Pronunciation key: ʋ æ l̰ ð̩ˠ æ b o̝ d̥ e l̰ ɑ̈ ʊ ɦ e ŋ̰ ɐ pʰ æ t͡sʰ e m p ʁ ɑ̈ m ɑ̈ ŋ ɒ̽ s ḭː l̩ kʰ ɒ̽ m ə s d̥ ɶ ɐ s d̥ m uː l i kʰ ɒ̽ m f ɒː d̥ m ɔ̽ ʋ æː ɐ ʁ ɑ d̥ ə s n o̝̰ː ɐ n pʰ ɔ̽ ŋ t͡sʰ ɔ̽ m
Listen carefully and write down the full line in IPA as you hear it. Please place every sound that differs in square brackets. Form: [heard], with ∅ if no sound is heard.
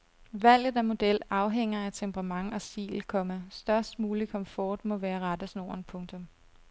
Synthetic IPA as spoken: ʋ æ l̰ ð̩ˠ æ [m] o̝ d̥ e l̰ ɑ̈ ʊ ɦ e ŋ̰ ɐ [∅] æ t͡sʰ e m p ʁ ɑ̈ m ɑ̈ ŋ ɒ̽ s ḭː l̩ kʰ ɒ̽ m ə s d̥ ɶ ɐ s d̥ m uː l i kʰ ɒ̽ m f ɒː d̥ m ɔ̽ ʋ æː ɐ ʁ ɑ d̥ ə s n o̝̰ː ɐ n pʰ ɔ̽ ŋ t͡sʰ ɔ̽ m